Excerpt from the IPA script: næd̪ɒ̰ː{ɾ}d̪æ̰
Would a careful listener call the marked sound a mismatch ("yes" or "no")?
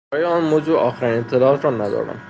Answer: no